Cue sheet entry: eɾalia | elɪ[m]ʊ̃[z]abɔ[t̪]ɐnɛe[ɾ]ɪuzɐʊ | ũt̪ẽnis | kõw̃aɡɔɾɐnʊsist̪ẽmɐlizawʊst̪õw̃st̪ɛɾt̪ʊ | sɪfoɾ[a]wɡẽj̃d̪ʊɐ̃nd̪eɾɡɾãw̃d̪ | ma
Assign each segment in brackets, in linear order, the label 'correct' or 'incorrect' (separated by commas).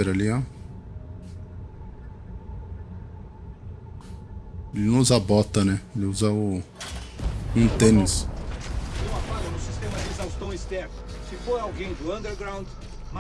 incorrect, correct, correct, incorrect, correct